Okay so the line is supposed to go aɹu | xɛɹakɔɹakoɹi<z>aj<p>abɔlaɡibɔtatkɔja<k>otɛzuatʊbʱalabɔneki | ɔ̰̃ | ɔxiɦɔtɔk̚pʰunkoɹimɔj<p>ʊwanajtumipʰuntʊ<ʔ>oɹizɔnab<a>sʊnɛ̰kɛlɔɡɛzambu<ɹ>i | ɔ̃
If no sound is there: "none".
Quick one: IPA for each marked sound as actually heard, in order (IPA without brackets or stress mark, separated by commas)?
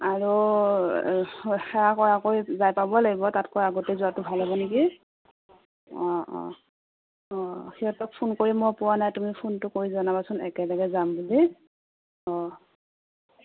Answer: z, p, ɡ, p, k, a, l